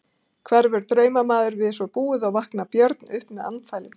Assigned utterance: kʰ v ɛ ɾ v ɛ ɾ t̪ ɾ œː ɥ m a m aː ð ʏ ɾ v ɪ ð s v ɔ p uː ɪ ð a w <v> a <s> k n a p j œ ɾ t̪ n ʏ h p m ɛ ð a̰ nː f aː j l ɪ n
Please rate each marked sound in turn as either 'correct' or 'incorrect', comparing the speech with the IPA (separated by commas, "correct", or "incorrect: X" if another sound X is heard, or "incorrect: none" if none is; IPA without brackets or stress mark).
correct, incorrect: h